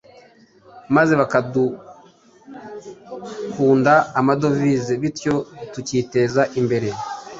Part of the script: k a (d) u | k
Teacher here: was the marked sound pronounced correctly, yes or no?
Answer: yes